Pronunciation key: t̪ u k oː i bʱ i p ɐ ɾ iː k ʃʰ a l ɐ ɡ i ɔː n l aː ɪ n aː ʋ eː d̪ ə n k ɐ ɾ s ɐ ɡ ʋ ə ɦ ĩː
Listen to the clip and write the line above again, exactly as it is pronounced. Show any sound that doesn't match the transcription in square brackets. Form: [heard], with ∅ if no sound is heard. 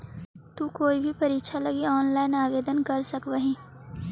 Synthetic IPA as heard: t̪ u k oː i bʱ i p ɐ ɾ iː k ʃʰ a l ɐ ɡ i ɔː n l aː ɪ n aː ʋ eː d̪ ə n k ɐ ɾ s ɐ [k] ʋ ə ɦ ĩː